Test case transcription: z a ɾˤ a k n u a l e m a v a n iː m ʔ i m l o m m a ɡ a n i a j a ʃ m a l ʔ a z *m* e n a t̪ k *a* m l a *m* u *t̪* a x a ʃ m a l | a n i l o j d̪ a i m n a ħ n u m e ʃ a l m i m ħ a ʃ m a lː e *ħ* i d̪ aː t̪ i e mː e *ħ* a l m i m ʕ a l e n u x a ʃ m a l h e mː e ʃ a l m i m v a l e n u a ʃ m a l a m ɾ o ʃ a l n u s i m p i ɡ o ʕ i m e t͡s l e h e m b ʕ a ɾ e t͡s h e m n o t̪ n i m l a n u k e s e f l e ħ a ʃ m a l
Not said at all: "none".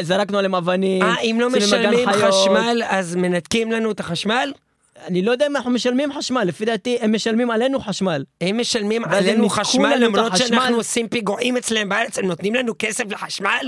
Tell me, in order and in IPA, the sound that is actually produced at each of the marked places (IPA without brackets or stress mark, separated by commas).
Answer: m, i, n, t̪, f, ʃ